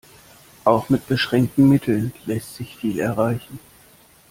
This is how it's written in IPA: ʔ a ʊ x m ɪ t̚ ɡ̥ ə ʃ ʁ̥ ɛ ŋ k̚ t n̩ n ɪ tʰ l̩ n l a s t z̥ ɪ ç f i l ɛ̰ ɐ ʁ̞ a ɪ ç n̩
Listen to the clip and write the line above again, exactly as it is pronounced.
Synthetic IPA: ʔ a ʊ x m ɪ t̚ b̥ ə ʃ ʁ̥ ɛ ŋ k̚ t n̩ m ɪ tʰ l̩ n l ɛ s t z̥ ɪ ç f iː l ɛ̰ ɐ ʁ̞ a ɪ ç n̩